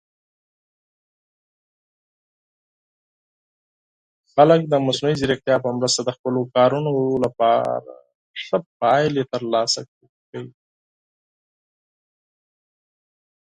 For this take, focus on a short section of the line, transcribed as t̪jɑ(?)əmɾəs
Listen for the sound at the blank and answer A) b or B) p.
B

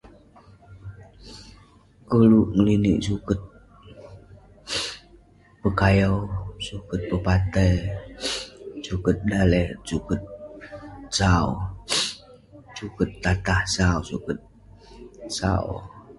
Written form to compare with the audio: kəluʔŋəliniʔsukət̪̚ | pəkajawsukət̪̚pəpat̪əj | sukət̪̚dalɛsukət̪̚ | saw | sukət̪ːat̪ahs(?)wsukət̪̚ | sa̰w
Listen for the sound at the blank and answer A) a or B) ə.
A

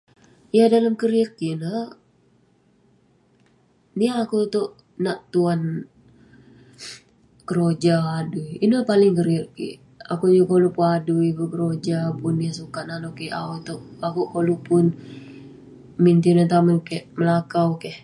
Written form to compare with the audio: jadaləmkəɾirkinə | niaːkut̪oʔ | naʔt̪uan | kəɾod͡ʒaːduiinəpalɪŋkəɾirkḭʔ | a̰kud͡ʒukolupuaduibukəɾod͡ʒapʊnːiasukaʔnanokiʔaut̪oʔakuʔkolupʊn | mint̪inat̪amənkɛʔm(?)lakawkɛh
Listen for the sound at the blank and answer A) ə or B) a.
A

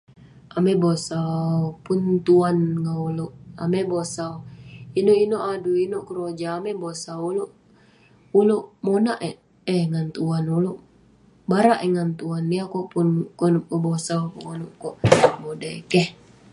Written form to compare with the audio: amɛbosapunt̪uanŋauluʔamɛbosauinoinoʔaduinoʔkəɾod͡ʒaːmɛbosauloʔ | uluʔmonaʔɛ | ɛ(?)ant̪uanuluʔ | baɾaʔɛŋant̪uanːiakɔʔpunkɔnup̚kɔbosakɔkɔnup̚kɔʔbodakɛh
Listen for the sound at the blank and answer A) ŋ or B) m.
A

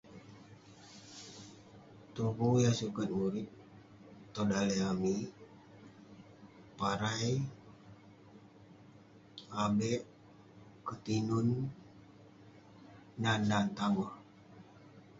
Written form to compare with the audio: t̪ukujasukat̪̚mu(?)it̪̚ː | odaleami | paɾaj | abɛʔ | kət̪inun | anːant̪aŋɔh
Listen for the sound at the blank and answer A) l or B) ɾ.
B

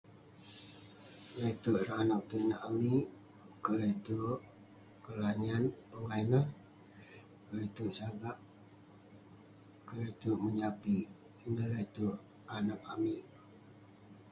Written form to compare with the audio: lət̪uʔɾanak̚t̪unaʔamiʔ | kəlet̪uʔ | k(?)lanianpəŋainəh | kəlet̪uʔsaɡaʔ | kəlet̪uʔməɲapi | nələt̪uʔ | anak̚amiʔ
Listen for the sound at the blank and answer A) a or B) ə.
B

